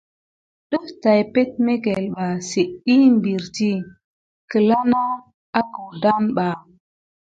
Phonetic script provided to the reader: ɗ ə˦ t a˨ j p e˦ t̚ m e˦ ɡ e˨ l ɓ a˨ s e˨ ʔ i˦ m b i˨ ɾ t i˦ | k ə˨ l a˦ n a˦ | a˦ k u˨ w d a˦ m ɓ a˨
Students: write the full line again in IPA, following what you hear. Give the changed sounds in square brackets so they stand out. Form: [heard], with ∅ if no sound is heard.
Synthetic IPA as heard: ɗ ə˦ t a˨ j p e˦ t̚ m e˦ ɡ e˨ l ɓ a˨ s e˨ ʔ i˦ m b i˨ ɾ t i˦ | k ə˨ l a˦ n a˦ | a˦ k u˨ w d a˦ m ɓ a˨